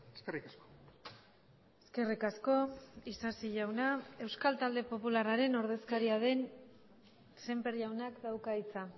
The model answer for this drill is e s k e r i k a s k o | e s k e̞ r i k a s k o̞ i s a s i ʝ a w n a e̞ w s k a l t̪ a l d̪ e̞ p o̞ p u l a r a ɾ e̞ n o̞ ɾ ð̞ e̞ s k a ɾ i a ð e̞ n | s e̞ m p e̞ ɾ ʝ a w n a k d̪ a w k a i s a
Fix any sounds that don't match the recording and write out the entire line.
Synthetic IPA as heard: e s k e r i k a s k o | e s k e̞ r i k a s k o̞ i s a s i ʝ a w n a e̞ w s k a l t̪ a l d̪ e̞ p o̞ p u l a r a ɾ e̞ n o̞ ɾ ð̞ e̞ s k a ɾ i a ð e̞ n | s e̞ m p e̞ ɾ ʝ a w n a k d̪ a w k a i t͡s a